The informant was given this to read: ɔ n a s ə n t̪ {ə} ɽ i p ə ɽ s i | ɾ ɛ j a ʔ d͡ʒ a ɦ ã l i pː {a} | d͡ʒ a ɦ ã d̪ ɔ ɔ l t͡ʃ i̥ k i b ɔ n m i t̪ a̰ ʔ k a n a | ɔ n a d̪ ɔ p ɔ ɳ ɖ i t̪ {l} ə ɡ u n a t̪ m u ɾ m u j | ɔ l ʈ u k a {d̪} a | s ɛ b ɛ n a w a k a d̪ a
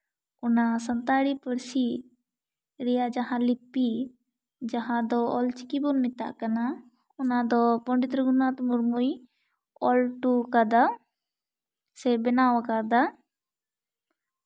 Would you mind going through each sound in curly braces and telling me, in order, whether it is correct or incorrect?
incorrect: a, incorrect: i, incorrect: ɾ, correct

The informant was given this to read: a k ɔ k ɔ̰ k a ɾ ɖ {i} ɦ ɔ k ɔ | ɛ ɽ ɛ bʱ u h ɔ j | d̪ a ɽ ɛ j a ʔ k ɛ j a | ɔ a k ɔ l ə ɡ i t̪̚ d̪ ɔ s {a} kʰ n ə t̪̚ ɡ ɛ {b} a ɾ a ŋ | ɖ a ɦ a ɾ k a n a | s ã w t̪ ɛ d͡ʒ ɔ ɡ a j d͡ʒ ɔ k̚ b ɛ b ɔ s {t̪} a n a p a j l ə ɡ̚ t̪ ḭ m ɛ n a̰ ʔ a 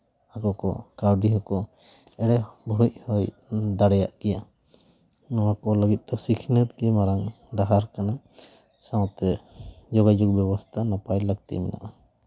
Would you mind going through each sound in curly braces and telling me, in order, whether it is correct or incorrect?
correct, incorrect: i, incorrect: m, incorrect: t̪ʰ

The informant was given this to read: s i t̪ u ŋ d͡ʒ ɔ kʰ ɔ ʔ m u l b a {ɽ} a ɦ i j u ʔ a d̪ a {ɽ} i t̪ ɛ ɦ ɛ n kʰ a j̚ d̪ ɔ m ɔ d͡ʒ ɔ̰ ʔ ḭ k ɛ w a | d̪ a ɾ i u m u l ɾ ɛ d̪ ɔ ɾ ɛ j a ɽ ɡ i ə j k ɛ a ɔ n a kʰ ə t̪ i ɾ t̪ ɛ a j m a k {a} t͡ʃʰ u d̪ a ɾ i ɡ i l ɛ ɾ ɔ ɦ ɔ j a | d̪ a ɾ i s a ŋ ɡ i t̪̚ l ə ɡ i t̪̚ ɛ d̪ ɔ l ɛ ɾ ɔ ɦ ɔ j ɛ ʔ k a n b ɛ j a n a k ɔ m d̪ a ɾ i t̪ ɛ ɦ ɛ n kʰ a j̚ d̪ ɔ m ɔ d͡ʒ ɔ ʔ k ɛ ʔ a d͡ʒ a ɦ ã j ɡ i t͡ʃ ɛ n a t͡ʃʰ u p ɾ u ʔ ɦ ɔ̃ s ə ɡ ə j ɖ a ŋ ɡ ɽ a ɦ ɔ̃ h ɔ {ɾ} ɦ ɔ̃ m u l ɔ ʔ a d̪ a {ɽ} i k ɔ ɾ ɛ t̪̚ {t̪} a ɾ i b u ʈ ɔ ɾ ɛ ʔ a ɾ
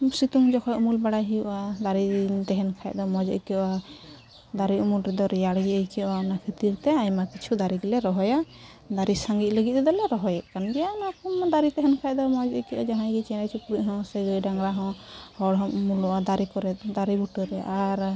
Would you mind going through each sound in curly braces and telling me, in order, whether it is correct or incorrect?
correct, incorrect: ɾ, incorrect: i, incorrect: ɽ, incorrect: ɾ, incorrect: d̪

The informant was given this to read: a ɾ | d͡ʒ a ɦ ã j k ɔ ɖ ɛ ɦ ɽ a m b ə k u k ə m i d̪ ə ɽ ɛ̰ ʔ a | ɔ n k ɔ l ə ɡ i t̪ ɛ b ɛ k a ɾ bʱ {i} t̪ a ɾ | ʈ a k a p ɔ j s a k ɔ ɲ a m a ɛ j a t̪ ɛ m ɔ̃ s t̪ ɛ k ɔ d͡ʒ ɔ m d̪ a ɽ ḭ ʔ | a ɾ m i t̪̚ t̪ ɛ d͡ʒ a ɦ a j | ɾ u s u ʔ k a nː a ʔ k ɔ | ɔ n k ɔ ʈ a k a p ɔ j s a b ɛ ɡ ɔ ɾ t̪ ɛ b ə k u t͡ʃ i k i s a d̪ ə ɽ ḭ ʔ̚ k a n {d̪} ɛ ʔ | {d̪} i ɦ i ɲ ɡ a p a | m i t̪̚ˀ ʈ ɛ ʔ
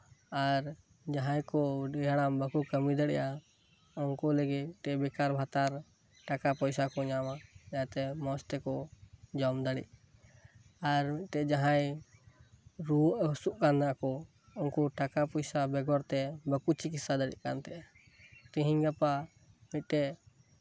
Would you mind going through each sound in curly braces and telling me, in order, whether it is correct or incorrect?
incorrect: a, incorrect: t̪, incorrect: t̪

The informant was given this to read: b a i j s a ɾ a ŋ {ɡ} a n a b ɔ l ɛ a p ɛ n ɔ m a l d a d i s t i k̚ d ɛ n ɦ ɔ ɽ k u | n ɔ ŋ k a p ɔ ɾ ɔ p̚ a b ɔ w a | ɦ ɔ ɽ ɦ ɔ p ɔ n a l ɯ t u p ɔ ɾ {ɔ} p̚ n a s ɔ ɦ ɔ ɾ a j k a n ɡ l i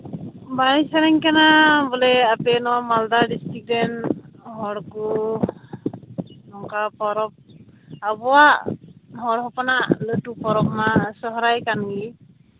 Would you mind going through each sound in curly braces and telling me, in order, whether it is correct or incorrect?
incorrect: k, correct

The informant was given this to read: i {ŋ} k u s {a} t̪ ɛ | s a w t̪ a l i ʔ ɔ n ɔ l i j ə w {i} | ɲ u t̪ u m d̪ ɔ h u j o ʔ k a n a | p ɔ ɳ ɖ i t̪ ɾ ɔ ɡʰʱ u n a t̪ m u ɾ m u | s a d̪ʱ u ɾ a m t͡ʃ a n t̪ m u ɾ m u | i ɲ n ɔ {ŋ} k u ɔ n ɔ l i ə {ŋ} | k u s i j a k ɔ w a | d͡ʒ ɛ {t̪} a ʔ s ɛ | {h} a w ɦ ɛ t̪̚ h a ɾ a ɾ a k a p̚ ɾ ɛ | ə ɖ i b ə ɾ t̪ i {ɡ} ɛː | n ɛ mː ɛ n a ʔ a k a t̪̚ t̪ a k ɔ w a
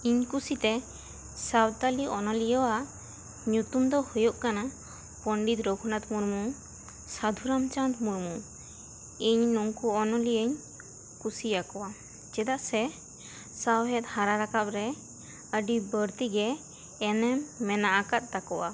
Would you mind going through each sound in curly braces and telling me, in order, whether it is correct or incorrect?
incorrect: ɲ, incorrect: i, incorrect: a, correct, incorrect: ɲ, incorrect: d̪, incorrect: s, correct

